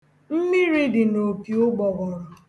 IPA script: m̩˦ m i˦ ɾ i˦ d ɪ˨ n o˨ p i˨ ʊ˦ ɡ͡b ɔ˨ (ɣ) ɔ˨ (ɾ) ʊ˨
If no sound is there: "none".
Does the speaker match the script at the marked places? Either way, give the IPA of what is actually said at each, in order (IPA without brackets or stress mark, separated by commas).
ɣ, ɾ